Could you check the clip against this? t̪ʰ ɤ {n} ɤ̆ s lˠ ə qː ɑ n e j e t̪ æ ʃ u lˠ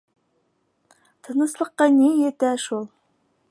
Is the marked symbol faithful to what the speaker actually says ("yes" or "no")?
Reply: yes